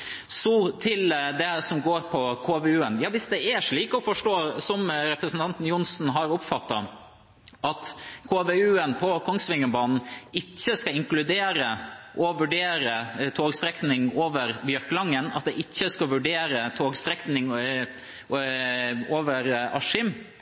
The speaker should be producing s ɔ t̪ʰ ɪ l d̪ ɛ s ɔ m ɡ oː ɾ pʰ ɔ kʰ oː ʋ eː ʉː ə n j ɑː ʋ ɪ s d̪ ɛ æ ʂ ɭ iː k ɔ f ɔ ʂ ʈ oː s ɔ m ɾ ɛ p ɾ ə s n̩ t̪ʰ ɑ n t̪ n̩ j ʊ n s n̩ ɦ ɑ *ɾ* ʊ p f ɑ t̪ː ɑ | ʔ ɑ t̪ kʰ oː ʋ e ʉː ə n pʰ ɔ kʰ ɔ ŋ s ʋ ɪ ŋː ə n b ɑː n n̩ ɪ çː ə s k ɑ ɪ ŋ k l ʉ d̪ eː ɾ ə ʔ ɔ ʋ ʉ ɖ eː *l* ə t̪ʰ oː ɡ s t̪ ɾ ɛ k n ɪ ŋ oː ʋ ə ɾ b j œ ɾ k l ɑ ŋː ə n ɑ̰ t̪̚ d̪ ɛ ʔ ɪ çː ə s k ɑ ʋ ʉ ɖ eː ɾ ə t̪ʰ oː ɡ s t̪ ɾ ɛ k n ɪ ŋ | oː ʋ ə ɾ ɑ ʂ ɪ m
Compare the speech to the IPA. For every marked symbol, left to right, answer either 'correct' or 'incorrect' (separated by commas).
correct, incorrect